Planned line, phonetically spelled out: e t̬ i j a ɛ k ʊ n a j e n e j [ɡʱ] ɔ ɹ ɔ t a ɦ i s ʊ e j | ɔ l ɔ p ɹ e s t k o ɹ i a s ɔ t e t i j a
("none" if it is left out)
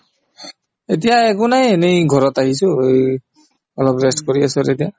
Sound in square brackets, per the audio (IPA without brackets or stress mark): ɡʱ